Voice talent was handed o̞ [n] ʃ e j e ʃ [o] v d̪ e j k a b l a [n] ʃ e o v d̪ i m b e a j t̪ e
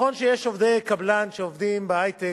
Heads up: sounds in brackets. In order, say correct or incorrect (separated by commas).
correct, correct, correct